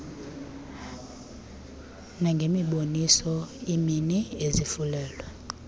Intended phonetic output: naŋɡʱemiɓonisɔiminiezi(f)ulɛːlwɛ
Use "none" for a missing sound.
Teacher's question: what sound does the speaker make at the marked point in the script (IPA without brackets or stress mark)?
f